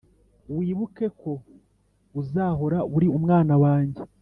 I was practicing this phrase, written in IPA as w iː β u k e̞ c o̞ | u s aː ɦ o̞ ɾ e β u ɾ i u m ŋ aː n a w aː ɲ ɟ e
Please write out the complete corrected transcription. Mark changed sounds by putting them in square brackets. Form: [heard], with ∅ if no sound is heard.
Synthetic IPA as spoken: w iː β u k e̞ [k] o̞ | u [z] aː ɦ o̞ ɾ [a] β u ɾ i u m ŋ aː n a w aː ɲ ɟ e